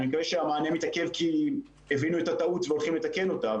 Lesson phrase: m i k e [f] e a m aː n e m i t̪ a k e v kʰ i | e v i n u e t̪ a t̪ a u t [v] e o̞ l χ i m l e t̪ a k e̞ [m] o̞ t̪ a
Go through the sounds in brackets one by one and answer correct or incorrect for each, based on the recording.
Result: incorrect, correct, incorrect

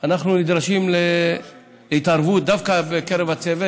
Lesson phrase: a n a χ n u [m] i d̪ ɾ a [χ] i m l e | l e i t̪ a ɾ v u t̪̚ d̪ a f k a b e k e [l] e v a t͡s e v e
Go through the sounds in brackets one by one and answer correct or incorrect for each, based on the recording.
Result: incorrect, incorrect, incorrect

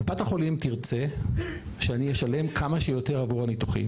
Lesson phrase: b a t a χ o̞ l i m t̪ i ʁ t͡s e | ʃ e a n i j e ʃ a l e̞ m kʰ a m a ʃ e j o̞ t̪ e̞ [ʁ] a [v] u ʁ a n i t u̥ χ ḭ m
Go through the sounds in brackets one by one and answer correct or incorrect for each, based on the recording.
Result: correct, correct

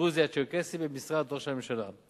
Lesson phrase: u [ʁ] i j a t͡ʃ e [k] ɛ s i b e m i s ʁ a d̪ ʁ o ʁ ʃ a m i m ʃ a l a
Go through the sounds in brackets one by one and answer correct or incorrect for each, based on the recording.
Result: incorrect, correct

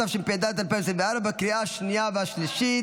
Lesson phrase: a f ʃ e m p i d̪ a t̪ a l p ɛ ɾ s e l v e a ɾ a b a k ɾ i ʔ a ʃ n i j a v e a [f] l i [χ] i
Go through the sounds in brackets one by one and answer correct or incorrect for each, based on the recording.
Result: incorrect, incorrect

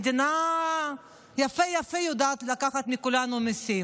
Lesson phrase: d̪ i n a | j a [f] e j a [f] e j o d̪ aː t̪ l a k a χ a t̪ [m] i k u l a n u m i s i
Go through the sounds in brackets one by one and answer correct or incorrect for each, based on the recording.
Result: correct, correct, correct

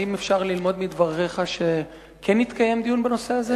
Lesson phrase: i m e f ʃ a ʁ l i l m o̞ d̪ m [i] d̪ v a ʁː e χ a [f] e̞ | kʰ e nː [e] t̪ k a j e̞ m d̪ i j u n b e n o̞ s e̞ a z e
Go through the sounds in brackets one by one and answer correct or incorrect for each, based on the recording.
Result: correct, incorrect, incorrect

